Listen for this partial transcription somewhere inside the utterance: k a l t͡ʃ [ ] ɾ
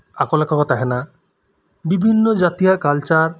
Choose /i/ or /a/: a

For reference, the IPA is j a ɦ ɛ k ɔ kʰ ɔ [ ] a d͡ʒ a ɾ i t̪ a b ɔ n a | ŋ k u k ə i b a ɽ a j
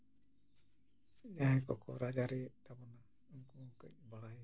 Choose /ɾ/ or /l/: ɾ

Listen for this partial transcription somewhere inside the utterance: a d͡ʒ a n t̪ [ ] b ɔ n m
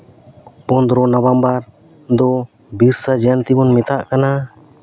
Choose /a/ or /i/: i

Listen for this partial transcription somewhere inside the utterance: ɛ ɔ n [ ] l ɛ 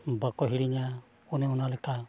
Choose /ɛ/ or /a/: a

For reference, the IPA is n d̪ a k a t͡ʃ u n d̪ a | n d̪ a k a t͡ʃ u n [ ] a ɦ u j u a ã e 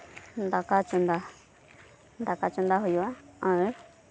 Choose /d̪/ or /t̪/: d̪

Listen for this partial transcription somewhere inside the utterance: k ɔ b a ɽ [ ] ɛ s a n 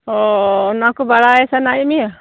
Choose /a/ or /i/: a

